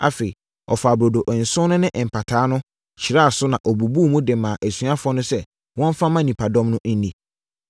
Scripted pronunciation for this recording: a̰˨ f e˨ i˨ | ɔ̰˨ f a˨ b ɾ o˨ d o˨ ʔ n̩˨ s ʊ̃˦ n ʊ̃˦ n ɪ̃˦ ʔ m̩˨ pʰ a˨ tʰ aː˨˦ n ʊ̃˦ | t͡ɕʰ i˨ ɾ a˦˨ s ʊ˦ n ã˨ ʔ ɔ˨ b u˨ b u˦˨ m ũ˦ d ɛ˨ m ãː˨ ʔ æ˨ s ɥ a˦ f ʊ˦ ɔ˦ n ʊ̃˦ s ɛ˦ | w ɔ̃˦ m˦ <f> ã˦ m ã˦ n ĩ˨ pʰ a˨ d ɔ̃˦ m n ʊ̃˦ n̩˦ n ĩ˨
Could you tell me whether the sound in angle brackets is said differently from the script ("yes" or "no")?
no